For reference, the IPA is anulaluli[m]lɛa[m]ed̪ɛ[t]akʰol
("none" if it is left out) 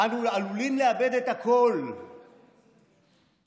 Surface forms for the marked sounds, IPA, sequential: n, b, t

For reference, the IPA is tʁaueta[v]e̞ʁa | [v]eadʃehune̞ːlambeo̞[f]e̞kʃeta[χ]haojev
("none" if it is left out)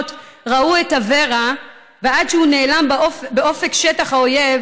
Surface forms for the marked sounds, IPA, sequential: v, v, f, χ

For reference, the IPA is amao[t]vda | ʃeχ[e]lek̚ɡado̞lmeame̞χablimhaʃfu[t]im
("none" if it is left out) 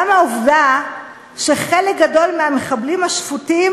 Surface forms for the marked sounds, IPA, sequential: none, e, t

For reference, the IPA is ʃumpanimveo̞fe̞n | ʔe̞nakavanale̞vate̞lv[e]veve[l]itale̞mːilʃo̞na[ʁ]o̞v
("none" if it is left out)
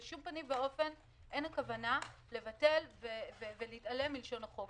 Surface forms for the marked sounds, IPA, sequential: e, l, χ

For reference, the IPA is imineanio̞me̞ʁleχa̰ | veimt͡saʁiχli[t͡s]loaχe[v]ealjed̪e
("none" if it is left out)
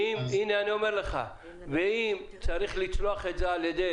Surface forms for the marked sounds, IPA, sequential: t͡s, z

